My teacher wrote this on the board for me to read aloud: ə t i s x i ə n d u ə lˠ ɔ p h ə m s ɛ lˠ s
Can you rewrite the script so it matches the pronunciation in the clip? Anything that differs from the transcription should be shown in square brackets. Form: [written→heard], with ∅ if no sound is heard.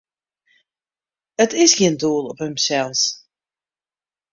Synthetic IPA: ə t [i→ɪ] s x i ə n d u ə lˠ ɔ p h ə m s ɛ lˠ s